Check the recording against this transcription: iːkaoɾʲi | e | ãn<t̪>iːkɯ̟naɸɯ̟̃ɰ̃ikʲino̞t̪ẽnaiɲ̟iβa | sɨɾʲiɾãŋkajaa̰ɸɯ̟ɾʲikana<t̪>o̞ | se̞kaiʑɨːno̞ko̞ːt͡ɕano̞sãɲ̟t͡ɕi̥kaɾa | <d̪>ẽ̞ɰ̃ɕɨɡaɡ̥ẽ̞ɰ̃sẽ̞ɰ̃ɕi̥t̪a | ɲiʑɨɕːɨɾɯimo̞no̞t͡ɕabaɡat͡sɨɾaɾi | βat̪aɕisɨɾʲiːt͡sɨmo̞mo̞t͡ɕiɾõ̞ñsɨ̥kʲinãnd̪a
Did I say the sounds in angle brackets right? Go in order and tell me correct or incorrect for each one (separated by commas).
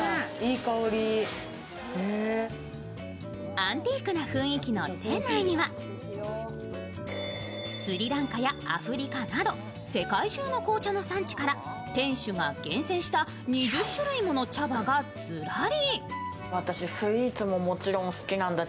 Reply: correct, incorrect, incorrect